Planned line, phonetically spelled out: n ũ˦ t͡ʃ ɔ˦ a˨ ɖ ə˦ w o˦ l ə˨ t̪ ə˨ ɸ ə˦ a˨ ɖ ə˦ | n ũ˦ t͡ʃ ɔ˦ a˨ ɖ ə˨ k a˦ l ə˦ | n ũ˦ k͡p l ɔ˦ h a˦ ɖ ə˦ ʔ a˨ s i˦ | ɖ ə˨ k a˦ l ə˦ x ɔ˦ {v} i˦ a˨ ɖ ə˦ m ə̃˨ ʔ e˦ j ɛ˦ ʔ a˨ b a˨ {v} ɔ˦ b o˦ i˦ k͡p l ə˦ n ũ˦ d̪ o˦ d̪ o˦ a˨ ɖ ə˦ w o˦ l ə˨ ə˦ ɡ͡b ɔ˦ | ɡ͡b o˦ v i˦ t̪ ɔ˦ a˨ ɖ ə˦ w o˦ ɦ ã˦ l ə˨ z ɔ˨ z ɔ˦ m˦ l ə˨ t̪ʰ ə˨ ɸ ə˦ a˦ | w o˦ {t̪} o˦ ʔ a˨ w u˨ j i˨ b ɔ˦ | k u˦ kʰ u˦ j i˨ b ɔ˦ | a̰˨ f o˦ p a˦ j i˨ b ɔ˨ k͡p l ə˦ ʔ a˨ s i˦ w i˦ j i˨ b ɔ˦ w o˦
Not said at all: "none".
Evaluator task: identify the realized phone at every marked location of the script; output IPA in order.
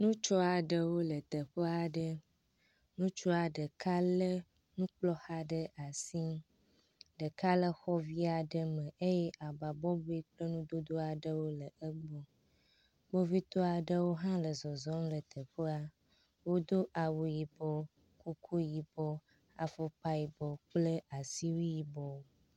v, b, d̪

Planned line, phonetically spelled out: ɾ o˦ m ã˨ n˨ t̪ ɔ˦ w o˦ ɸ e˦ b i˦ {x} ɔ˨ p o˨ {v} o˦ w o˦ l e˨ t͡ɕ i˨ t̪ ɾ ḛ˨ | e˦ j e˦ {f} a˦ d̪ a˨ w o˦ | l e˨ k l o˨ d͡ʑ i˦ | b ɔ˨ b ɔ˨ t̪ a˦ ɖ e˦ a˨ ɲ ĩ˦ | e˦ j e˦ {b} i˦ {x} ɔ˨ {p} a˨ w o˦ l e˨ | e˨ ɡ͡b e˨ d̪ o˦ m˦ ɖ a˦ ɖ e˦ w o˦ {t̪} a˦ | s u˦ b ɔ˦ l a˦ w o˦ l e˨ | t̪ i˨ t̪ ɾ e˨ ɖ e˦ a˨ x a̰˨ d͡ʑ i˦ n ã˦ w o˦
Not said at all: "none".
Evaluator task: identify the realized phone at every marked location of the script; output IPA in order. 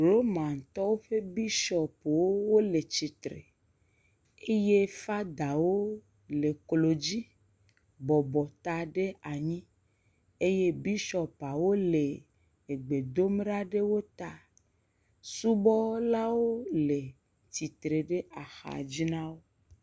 ʃ, w, f, b, ʃ, p, t̪

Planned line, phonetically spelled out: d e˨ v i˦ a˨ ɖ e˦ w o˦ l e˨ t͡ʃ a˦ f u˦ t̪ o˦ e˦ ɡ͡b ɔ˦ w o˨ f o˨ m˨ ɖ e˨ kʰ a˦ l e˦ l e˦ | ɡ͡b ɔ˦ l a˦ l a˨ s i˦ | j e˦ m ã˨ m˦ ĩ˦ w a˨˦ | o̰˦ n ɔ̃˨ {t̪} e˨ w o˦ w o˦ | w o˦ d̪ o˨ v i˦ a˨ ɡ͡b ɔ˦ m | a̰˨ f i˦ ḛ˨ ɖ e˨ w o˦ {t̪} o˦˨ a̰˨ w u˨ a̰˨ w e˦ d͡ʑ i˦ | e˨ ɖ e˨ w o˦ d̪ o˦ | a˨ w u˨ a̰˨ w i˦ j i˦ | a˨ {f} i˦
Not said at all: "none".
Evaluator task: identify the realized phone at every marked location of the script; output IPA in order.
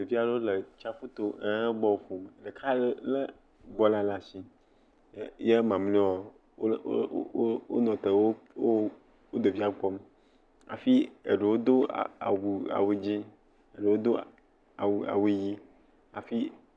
t̪, d̪, f

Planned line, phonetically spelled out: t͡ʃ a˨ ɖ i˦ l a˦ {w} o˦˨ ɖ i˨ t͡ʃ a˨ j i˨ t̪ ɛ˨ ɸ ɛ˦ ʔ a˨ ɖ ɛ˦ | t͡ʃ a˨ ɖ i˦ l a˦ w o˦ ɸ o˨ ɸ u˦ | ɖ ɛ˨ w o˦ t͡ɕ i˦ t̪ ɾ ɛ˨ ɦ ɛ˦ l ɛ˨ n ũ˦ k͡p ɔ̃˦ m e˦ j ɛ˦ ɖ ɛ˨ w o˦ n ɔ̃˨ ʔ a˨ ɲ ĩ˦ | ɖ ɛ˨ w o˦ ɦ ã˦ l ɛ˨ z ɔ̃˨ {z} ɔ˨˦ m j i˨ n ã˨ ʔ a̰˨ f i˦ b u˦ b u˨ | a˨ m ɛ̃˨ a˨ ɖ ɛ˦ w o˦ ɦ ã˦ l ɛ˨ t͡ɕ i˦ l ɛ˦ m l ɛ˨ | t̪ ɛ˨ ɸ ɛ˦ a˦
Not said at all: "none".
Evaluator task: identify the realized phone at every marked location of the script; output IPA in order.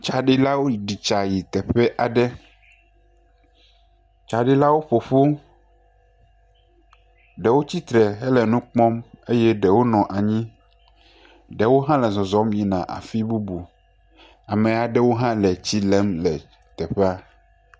w, z

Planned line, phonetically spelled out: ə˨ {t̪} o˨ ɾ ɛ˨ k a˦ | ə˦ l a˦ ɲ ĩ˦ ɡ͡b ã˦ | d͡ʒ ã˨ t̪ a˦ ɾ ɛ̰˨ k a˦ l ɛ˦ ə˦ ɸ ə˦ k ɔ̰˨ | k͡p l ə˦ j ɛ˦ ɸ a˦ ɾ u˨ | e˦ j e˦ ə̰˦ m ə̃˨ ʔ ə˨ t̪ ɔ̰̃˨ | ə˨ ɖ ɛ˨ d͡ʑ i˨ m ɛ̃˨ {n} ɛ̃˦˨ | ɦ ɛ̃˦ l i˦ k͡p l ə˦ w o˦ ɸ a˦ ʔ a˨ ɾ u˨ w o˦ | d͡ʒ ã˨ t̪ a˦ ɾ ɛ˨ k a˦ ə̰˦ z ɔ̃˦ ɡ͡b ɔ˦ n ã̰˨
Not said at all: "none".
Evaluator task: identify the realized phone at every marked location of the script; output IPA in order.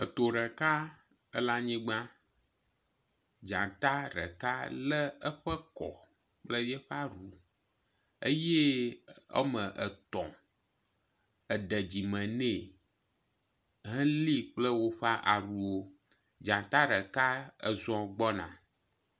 t̪, n

